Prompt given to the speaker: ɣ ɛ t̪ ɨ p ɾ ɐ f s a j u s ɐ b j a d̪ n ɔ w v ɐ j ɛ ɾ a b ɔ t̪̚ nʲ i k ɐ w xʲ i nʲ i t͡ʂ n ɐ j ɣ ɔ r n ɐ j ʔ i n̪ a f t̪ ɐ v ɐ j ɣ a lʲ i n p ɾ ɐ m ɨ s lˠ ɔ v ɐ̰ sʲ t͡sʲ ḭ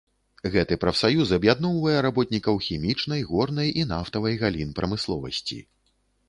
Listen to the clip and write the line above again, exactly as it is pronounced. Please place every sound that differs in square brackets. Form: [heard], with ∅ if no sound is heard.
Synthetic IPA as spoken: ɣ ɛ t̪ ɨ p ɾ ɐ f s a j u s ɐ b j a d̪ n ɔ w v ɐ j ɛ ɾ a b ɔ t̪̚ nʲ i k ɐ w xʲ i [mʲ] i t͡ʂ n ɐ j ɣ ɔ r n ɐ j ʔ i n̪ a f t̪ ɐ v ɐ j ɣ a lʲ i n p ɾ ɐ m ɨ s lˠ ɔ v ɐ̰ sʲ t͡sʲ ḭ